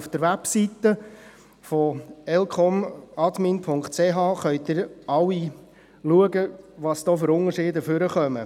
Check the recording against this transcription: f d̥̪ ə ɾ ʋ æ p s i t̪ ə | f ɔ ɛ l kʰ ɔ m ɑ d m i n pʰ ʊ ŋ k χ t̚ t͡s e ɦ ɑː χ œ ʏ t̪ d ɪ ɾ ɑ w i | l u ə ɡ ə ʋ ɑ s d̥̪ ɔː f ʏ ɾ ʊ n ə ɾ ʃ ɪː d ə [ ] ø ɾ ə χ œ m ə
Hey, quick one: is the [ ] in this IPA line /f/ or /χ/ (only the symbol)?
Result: f